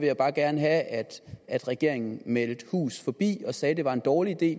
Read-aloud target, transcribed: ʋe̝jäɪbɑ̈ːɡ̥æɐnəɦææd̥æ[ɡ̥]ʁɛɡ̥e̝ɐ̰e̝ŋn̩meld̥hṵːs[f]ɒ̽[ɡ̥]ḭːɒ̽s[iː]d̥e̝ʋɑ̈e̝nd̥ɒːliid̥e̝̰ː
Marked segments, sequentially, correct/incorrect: incorrect: d̥, correct, incorrect: b̥, incorrect: ɛː

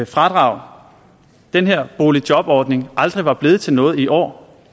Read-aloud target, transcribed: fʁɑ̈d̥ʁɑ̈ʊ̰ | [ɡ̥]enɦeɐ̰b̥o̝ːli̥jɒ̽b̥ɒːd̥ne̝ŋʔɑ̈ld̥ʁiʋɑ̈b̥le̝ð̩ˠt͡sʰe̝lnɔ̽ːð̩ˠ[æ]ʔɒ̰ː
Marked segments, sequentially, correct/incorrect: incorrect: d̥, incorrect: i

